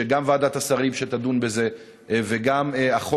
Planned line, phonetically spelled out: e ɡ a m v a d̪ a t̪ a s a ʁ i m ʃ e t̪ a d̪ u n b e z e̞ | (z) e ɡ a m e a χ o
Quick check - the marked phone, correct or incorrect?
incorrect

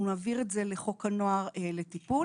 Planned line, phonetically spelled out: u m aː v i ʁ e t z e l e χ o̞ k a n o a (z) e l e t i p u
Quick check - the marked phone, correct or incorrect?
incorrect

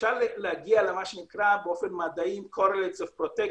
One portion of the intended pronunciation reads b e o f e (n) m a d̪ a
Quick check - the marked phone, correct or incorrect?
correct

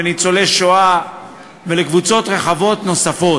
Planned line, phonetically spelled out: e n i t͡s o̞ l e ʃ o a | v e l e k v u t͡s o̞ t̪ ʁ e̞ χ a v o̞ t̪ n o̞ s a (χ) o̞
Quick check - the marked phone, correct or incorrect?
incorrect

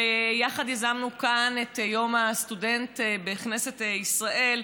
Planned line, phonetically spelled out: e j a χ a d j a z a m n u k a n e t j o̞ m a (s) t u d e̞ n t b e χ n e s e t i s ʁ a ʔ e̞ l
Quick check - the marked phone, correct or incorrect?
correct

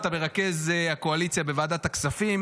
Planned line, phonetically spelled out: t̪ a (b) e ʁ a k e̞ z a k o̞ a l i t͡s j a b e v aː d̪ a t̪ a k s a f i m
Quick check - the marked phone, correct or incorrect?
correct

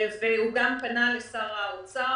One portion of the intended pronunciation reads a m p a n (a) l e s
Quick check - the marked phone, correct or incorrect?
correct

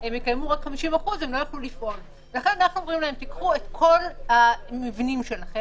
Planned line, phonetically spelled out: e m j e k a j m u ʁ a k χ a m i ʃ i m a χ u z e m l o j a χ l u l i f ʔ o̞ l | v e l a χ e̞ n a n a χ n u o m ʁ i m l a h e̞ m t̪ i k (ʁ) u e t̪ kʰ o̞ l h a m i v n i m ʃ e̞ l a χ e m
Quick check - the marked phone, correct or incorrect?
incorrect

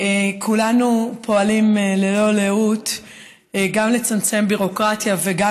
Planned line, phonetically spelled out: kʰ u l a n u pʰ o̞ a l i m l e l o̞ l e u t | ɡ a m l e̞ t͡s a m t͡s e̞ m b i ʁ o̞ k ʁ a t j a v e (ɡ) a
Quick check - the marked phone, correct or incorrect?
correct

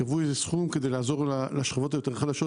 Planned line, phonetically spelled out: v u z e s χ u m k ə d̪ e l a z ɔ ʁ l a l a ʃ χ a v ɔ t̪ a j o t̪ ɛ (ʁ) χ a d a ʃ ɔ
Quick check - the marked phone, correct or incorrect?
correct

